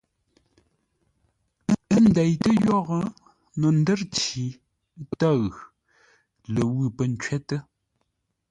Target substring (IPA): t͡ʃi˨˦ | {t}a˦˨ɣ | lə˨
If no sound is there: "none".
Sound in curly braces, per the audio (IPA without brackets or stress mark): t